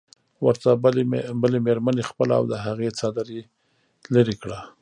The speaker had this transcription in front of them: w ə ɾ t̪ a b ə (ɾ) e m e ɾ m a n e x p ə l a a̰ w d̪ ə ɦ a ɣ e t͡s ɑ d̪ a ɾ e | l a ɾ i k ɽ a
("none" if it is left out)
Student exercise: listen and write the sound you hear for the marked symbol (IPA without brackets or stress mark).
l